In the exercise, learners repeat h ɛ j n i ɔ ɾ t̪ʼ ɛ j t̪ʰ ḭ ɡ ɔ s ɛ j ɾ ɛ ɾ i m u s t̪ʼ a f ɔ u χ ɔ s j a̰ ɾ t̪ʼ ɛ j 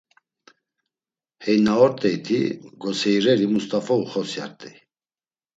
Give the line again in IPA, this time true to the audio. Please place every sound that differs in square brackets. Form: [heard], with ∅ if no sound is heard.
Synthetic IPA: h ɛ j n [a] ɔ ɾ t̪ʼ ɛ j t̪ʰ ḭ ɡ ɔ s ɛ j ɾ ɛ ɾ i m u s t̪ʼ a f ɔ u χ ɔ s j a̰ ɾ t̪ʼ ɛ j